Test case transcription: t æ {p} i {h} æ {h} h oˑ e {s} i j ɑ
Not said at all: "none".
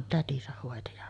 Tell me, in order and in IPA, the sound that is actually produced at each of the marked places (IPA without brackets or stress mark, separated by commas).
t, s, h, t